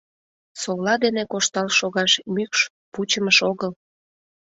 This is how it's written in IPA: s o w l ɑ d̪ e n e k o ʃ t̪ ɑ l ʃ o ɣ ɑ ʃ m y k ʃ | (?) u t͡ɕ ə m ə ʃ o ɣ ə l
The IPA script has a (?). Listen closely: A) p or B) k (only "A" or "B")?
A